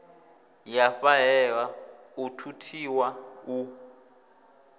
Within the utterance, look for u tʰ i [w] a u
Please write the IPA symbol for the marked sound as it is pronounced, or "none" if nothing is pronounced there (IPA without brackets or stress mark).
w